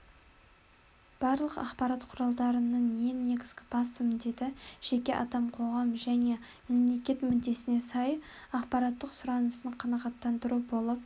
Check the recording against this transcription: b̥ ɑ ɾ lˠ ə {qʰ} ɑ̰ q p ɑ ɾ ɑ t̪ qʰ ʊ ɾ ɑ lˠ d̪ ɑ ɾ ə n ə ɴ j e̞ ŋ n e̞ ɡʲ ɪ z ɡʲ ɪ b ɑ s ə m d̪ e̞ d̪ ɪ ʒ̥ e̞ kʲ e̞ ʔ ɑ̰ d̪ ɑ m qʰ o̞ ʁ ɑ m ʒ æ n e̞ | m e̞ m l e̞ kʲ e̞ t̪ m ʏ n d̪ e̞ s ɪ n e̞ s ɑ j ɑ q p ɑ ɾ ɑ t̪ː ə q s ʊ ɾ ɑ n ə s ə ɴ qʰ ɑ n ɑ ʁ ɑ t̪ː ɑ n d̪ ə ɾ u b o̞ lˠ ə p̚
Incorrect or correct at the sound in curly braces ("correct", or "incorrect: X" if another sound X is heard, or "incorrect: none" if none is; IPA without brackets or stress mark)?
incorrect: q